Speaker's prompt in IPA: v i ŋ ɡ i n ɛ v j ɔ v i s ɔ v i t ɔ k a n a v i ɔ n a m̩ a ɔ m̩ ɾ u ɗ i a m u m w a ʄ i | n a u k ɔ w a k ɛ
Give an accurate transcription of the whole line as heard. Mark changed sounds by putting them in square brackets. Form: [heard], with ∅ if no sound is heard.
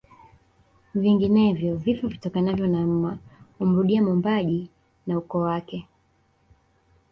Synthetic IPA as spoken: v i ŋ ɡ i n ɛ v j ɔ v i [f] ɔ v i t ɔ k a n a v [j] ɔ n a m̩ a [u] m̩ ɾ u ɗ i a m u m [b] a ʄ i | n a u k ɔ w a k ɛ

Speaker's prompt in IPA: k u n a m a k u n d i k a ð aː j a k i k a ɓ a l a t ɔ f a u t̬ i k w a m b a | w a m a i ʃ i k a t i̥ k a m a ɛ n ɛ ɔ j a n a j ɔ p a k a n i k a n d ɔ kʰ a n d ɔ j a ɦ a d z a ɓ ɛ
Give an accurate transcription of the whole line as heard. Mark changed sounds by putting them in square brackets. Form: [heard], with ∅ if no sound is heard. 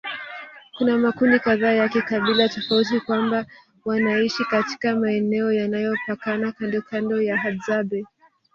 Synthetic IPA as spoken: k u n a m a k u n d i k a ð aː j a k i k a ɓ [i] l a t ɔ f a u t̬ i k w a m b a | w a [n] a i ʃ i k a t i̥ k a m a ɛ n ɛ ɔ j a n a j ɔ p a k a n [a] k a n d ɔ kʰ a n d ɔ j a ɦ a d z a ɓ ɛ

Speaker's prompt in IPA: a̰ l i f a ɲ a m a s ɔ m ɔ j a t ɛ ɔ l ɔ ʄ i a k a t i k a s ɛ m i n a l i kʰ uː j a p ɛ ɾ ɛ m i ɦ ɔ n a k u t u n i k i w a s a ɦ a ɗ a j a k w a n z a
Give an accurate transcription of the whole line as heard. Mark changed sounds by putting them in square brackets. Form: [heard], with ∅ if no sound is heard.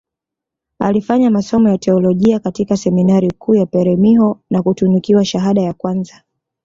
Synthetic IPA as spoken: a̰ l i f a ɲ a m a s ɔ m ɔ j a t ɛ ɔ l ɔ ʄ i a k a t i k a s ɛ m i n a [ɾ] i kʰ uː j a p ɛ ɾ ɛ m i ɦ ɔ n a k u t u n i k i w a [ʃ] a ɦ a ɗ a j a k w a n z a

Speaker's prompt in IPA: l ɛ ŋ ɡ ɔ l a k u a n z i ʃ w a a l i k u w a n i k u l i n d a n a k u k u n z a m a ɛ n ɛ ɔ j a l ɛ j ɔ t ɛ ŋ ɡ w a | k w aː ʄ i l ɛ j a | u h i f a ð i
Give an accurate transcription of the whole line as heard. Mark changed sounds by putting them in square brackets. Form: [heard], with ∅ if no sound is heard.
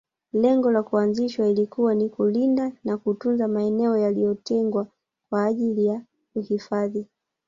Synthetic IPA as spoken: l ɛ ŋ ɡ ɔ l a k u a n z i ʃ w a [i] l i k u w a n i k u l i n d a n a k u [t] u n z a m a ɛ n ɛ ɔ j a l [i] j ɔ t ɛ ŋ ɡ w a | k w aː ʄ i l [i] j a | u h i f a ð i

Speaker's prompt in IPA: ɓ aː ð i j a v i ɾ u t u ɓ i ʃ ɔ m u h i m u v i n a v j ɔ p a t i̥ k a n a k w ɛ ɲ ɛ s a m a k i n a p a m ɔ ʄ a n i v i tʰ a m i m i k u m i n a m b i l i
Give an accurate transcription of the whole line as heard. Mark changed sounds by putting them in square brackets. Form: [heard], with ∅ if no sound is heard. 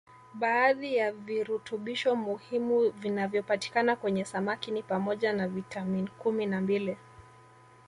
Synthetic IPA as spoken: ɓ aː ð i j a v i ɾ u t u ɓ i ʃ ɔ m u h i m u v i n a v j ɔ p a t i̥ k a n a k w ɛ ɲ ɛ s a m a k i n [i] p a m ɔ ʄ a n [a] v i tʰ a m i [n] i k u m i n a m b i l i

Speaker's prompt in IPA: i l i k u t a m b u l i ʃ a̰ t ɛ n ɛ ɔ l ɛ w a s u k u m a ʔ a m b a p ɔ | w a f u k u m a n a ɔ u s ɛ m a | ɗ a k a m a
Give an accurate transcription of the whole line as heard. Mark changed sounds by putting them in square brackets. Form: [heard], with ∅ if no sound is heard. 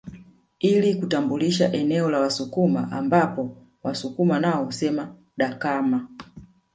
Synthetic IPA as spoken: i l i k u t a m b u l i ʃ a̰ [ʔ] ɛ n ɛ ɔ l [a] w a s u k u m a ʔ a m b a p ɔ | w a [s] u k u m a n a ɔ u s ɛ m a | ɗ a k a m a

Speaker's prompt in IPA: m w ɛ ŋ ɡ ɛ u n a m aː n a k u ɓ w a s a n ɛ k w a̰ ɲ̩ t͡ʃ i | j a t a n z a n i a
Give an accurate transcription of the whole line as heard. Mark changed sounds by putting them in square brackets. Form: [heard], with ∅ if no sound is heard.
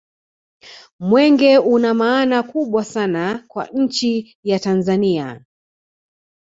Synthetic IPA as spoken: m w ɛ ŋ ɡ ɛ u n a m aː n a k u ɓ w a s a n [a] k w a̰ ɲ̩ t͡ʃ i | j a t a n z a n i a

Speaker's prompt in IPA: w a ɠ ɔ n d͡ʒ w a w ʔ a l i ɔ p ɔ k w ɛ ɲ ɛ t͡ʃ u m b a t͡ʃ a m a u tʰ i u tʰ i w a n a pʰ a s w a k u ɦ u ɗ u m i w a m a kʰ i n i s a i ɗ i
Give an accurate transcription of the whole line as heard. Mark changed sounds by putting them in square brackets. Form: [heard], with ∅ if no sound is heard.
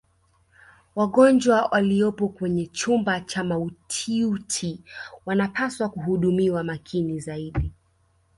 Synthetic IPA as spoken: w a ɠ ɔ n d͡ʒ w a w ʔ a l i ɔ p ɔ k w ɛ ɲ ɛ t͡ʃ u m b a t͡ʃ a m a u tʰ i u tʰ i w a n a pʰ a s w a k u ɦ u ɗ u m i w a m a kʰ i n i [z] a i ɗ i

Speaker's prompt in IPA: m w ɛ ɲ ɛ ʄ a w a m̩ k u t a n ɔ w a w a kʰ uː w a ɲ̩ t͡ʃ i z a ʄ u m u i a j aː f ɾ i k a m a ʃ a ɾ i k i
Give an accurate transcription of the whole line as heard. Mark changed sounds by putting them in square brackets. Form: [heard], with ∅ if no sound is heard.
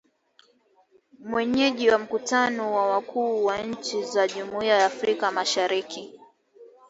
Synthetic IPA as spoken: m w ɛ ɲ ɛ ʄ [i] w a m̩ k u t a n ɔ w a w a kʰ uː w a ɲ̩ t͡ʃ i z a ʄ u m u i a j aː f ɾ i k a m a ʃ a ɾ i k i

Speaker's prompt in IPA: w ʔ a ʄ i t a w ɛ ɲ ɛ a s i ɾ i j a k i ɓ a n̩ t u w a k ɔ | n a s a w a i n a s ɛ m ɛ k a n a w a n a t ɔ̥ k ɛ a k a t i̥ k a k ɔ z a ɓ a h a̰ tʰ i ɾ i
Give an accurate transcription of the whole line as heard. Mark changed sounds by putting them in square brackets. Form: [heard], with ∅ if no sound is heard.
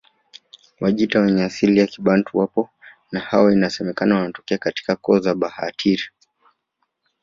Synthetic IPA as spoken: w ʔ a ʄ i t a w ɛ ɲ ɛ a s i [l] i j a k i ɓ a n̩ t u w a [p] ɔ | n a [h] a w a i n a s ɛ m ɛ k a n a w a n a t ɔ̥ k ɛ a k a t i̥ k a k ɔ z a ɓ a h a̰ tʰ i ɾ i

